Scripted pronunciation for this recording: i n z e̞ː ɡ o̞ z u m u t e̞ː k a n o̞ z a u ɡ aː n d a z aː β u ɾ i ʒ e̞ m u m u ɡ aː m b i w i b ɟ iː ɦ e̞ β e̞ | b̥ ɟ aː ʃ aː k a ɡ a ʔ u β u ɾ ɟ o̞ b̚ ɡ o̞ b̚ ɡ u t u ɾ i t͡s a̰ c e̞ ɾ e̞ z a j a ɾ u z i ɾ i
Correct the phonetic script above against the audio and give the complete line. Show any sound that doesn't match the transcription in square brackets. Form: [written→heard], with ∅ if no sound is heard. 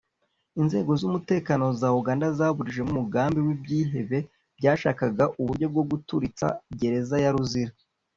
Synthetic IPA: i n z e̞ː ɡ o̞ z u m u t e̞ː k a n o̞ z a u ɡ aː n d a z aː β u ɾ i ʒ e̞ m u m u ɡ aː m b i w i b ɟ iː ɦ e̞ β e̞ | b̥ ɟ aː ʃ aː k a ɡ a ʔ u β u ɾ ɟ o̞ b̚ ɡ o̞ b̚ ɡ u t u ɾ i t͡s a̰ [c→ɟ] e̞ ɾ e̞ z a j a ɾ u z i ɾ [i→a]